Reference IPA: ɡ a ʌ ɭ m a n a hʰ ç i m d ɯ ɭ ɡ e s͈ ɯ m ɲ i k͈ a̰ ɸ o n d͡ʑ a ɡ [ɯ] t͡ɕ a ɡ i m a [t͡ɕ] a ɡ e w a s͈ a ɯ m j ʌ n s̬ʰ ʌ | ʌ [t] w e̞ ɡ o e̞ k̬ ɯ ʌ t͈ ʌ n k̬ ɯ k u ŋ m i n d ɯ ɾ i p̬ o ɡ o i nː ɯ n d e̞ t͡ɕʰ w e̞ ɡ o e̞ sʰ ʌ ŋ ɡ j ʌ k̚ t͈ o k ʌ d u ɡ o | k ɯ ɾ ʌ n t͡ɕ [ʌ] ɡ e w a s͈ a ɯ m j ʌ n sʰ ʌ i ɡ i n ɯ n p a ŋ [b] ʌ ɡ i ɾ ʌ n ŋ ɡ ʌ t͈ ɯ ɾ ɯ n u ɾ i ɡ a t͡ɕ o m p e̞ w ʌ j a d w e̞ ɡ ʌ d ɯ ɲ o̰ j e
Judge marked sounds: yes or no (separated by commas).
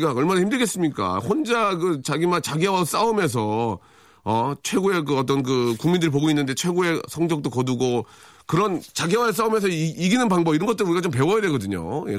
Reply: yes, yes, no, no, yes